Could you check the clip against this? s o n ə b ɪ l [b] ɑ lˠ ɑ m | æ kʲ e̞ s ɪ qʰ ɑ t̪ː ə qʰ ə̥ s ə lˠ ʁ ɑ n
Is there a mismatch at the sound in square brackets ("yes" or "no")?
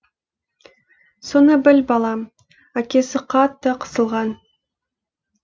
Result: no